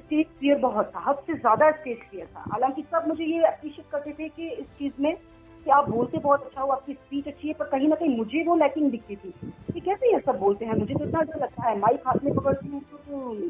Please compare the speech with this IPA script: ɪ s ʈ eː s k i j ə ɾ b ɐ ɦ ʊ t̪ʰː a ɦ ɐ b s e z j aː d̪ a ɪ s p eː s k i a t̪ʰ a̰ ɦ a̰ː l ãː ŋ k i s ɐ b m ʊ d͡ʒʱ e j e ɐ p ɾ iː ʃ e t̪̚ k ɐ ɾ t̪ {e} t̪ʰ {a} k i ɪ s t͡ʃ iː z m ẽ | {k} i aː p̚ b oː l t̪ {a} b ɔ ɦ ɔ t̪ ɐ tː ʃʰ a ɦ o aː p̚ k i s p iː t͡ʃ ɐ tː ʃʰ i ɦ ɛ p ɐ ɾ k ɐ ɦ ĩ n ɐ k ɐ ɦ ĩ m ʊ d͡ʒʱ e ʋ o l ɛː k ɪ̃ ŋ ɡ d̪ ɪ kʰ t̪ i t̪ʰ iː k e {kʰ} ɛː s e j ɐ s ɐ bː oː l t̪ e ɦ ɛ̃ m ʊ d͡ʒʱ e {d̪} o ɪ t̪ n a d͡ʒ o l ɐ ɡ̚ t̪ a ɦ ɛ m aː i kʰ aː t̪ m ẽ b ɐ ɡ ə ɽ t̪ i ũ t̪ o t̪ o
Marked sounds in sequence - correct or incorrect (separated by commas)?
correct, incorrect, correct, incorrect, incorrect, incorrect